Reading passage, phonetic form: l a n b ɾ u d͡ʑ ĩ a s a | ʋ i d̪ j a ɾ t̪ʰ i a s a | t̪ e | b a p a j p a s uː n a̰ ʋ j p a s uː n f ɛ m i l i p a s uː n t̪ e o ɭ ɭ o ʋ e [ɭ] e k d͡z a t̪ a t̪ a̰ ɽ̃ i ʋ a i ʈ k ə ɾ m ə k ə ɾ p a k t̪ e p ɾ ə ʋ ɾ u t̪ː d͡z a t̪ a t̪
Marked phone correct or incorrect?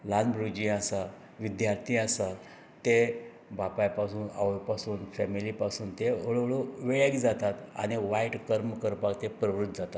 correct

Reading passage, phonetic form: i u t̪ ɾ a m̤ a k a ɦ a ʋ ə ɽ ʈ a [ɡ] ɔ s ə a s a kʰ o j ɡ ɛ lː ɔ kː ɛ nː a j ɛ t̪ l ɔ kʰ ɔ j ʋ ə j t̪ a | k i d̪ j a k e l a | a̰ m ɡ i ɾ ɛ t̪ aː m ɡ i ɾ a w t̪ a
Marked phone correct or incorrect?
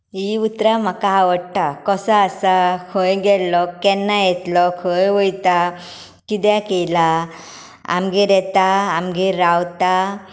incorrect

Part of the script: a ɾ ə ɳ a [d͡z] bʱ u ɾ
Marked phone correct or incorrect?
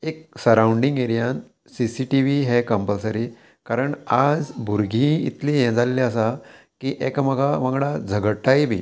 correct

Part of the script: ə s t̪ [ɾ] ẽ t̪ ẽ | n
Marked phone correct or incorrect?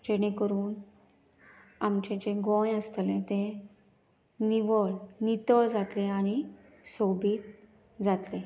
incorrect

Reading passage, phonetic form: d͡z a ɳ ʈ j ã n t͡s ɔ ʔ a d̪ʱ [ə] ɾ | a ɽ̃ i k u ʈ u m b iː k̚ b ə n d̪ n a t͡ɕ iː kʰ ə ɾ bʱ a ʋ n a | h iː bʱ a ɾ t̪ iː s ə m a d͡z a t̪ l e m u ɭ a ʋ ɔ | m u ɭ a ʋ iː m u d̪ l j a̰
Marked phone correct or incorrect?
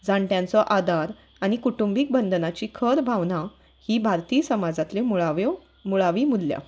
incorrect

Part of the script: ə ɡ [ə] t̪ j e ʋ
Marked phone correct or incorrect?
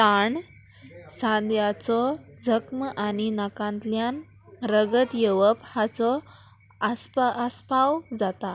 correct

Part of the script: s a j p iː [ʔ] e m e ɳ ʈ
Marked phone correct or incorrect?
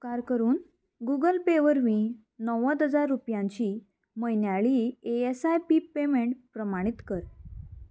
incorrect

